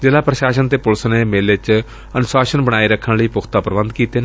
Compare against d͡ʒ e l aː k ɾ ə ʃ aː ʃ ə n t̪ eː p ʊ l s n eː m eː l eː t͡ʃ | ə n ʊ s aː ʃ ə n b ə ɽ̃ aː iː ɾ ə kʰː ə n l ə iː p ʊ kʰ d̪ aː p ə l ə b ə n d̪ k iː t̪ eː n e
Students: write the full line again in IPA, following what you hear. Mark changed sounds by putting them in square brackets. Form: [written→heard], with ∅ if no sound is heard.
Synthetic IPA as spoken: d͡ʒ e l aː [k→p] ɾ ə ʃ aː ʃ ə n t̪ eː p ʊ l s n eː m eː l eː t͡ʃ | ə n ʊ s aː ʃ ə n b ə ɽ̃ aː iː ɾ ə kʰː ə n l ə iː p ʊ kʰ [d̪→t̪] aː p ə [l→ɾ] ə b ə n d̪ k iː t̪ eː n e